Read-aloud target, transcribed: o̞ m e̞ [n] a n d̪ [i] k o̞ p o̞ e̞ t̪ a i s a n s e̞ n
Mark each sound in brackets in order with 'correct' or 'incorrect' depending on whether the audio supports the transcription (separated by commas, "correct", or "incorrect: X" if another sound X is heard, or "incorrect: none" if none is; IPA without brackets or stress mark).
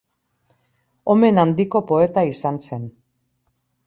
correct, correct